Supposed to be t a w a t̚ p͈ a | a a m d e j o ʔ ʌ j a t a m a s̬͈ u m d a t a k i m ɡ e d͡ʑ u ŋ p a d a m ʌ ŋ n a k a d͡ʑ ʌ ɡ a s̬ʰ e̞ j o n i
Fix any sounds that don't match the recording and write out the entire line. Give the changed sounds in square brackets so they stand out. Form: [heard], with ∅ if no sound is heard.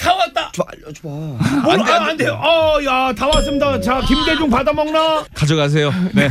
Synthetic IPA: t a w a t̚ [t͈] a | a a [n] d e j o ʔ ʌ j a t a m a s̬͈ [ɯ] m d a [t͡ɕ] a k i m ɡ e d͡ʑ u ŋ p a d a m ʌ ŋ n a k a d͡ʑ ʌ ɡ a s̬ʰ e̞ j o n [e]